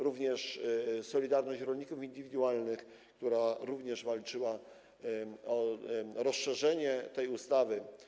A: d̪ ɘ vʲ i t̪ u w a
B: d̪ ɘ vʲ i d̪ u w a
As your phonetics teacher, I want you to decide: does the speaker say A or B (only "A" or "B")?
B